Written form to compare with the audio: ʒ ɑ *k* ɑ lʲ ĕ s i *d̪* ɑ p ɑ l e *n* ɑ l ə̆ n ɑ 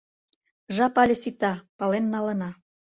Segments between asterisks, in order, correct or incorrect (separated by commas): incorrect, incorrect, incorrect